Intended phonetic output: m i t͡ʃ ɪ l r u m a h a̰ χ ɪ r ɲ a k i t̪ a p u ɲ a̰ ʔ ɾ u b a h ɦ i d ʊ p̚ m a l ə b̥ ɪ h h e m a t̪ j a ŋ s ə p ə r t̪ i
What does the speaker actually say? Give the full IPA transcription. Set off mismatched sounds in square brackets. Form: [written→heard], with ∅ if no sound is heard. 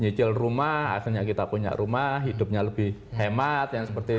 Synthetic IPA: [m→ɲ] i t͡ʃ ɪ l r u m a h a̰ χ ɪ r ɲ a k i t̪ a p u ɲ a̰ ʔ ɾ u [b→m] a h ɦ i d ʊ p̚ [m→ɲ] a l ə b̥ ɪ h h e m a t̪ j a ŋ s ə p ə r t̪ i